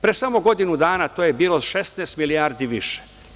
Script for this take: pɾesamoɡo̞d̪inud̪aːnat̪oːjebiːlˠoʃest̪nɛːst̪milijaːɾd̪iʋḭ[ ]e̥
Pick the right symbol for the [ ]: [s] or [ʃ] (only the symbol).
ʃ